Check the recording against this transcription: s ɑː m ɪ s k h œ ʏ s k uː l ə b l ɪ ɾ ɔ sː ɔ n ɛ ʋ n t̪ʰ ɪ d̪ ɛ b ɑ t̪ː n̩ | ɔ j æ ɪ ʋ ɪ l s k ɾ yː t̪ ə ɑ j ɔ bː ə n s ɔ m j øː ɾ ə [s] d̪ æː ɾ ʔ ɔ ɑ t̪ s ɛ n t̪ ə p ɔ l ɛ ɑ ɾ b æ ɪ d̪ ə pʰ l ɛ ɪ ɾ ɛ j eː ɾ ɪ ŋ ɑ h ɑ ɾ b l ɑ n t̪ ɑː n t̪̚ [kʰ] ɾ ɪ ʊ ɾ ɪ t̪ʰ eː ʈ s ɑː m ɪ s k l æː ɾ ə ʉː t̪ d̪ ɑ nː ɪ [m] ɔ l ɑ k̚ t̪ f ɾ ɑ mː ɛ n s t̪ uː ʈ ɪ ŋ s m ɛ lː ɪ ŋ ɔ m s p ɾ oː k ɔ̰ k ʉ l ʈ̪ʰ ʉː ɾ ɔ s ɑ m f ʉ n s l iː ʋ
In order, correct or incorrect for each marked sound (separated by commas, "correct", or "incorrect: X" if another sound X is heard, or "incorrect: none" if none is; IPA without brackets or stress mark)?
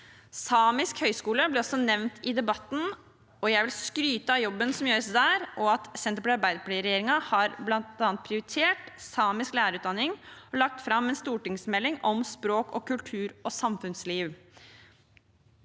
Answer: correct, incorrect: pʰ, incorrect: ŋ